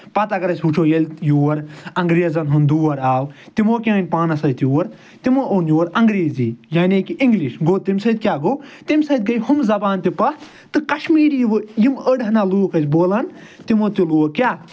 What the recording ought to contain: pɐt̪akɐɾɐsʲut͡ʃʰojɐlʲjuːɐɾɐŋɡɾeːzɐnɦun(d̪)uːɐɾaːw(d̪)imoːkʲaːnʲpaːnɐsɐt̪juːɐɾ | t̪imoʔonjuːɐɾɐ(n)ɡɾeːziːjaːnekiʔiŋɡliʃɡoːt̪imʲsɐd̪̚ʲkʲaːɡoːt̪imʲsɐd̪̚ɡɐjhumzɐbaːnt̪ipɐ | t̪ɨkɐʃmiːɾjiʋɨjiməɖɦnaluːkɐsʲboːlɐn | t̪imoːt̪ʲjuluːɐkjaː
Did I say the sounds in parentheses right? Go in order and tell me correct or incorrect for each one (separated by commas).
correct, incorrect, incorrect